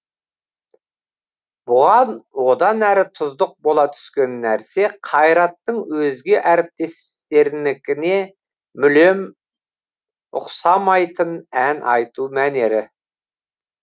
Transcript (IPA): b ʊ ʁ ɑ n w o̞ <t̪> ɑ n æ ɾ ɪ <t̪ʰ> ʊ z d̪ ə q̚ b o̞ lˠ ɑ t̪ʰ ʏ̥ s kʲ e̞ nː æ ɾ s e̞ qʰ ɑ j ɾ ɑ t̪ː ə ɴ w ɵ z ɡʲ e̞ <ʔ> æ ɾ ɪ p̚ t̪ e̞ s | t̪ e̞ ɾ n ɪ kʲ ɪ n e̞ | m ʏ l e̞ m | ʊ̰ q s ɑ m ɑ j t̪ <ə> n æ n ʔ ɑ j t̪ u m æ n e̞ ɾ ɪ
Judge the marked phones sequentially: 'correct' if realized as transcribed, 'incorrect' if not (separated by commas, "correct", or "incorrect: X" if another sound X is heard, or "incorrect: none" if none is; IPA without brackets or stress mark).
incorrect: d̪, correct, correct, correct